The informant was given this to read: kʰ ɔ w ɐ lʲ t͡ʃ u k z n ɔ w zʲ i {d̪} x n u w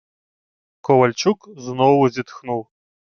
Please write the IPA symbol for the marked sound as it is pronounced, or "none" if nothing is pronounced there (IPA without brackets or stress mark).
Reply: t̪